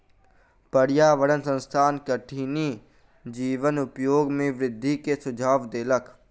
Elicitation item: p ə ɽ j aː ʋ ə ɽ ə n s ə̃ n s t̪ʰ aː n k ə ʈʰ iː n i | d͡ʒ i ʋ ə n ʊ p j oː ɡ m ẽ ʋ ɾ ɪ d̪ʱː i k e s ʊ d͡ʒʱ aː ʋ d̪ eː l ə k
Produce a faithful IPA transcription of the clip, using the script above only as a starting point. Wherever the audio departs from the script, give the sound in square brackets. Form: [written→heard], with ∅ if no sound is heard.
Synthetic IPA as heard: p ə ɽ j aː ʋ ə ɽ ə n s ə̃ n s t̪ʰ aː n k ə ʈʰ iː n i | d͡ʒ [i→iː] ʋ ə n ʊ p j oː ɡ m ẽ ʋ ɾ ɪ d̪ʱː i k e s ʊ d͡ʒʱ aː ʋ d̪ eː l ə k

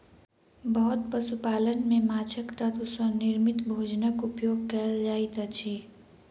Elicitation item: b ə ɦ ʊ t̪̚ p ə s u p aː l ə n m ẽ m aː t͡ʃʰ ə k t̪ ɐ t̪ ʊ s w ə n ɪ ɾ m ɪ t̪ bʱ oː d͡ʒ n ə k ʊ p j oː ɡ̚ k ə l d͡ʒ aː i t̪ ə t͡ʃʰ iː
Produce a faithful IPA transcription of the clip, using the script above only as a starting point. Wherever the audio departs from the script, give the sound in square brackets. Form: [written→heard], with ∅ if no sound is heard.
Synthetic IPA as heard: b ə ɦ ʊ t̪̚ p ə s u p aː l ə n m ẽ m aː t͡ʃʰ ə k t̪ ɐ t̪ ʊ s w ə n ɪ ɾ m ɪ t̪ bʱ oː d͡ʒ n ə k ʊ p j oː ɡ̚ k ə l d͡ʒ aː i t̪ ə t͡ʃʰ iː

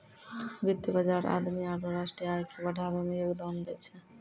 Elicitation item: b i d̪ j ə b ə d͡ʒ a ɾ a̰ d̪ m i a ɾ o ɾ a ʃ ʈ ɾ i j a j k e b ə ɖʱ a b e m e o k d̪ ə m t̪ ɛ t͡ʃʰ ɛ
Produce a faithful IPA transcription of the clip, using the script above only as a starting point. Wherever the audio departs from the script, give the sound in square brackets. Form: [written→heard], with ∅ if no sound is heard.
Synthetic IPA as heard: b i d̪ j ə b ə d͡ʒ a ɾ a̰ d̪ m i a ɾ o ɾ a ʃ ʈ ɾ i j a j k e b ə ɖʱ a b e m e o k d̪ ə m [t̪→d̪] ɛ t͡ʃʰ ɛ

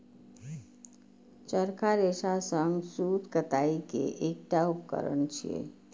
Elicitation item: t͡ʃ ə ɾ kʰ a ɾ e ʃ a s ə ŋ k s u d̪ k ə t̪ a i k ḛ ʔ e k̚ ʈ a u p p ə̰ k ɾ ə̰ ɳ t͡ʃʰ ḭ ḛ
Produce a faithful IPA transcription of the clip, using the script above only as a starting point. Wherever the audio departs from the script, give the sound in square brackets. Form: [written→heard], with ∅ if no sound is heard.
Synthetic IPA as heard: t͡ʃ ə ɾ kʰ a ɾ e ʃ a s ə ŋ [k→ɡ] s u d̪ k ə t̪ a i k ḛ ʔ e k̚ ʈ a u p [p→k] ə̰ [k→∅] ɾ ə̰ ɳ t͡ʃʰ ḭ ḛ

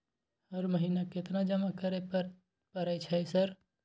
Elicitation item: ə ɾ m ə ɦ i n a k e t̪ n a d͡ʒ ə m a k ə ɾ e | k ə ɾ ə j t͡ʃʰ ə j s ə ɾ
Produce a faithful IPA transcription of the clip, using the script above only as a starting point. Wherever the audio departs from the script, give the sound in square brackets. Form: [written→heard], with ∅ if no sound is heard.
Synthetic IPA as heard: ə ɾ m ə ɦ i n a k e t̪ n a d͡ʒ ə m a k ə ɾ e | [k→p] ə ɾ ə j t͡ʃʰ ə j s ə ɾ

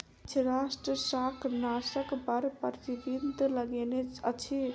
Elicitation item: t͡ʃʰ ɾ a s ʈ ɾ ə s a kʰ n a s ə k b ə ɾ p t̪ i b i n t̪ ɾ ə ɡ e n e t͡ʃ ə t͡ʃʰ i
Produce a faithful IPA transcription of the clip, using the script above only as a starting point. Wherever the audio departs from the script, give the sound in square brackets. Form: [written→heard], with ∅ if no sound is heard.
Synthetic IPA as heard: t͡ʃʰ ɾ a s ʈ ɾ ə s a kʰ n a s ə k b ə ɾ p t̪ i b i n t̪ [ɾ→l] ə ɡ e n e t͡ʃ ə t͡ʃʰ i

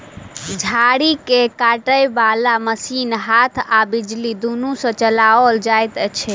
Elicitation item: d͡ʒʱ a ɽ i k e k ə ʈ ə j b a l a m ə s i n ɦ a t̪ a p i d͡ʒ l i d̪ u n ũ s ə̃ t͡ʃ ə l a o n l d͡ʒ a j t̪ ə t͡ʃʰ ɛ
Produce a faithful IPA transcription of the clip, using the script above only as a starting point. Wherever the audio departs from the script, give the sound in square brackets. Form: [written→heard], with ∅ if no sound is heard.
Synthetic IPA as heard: d͡ʒʱ a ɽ i k e k [ə→a] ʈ ə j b a l a m ə s i n ɦ a [t̪→t̪ʰ] a [p→b] i d͡ʒ l i d̪ u n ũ s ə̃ t͡ʃ ə l a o [n→∅] l d͡ʒ a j t̪ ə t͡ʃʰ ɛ

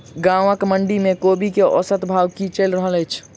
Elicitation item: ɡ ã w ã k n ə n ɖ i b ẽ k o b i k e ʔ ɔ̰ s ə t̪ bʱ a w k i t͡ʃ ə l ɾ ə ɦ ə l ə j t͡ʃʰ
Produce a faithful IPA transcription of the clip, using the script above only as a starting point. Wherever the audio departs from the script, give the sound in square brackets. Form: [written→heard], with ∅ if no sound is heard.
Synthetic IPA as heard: ɡ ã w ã k [n→m] ə [n→ɳ] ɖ i [b→m] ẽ k o b i k e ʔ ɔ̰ s ə t̪ bʱ a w k i t͡ʃ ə l ɾ ə ɦ ə l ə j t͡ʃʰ

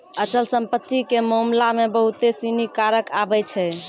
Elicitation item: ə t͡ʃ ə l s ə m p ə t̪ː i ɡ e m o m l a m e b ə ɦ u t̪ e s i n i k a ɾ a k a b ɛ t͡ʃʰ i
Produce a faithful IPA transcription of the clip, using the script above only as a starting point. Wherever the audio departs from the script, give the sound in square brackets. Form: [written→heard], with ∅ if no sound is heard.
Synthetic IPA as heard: ə t͡ʃ ə l s ə m p ə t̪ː i [ɡ→k] e m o m l a m e b ə ɦ u t̪ e s i n i k a ɾ [a→ə] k a b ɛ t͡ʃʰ [i→ɛ]

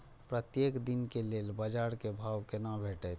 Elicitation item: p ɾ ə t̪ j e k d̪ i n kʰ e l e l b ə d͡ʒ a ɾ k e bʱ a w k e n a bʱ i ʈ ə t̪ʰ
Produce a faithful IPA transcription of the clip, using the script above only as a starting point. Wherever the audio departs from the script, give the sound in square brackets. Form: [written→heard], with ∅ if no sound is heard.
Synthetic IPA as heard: p ɾ ə t̪ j e k d̪ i n [kʰ→k] e l e l b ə d͡ʒ a ɾ k e bʱ a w k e n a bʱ [i→e] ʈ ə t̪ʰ

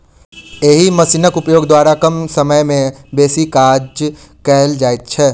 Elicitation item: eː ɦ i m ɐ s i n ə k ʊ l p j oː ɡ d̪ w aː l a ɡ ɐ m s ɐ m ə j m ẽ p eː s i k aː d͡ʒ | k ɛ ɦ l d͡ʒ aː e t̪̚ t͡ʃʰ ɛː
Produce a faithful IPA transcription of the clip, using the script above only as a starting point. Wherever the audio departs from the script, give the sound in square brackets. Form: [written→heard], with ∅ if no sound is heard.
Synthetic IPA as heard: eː ɦ i m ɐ s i n ə k ʊ [l→∅] p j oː ɡ d̪ w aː [l→ɾ] a [ɡ→k] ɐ m s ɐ m ə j m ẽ [p→b] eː s i k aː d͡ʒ | k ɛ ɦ l d͡ʒ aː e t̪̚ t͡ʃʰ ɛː

